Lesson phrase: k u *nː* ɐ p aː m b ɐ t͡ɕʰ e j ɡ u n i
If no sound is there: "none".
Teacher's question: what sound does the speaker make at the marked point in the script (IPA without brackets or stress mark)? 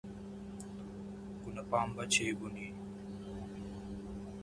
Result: n